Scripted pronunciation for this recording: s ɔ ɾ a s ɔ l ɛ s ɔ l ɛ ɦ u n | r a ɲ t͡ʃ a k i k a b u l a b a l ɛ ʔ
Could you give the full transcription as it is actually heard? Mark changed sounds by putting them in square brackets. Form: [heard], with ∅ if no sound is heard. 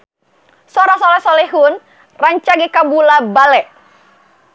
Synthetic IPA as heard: s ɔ ɾ a s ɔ l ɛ s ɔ l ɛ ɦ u n | r a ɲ t͡ʃ a [ɡ] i k a b u l a b a l ɛ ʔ